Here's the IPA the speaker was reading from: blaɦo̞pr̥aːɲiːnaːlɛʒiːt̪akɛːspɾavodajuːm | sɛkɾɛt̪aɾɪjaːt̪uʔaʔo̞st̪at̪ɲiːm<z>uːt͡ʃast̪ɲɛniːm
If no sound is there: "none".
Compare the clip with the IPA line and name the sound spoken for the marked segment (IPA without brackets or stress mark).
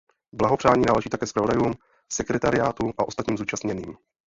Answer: z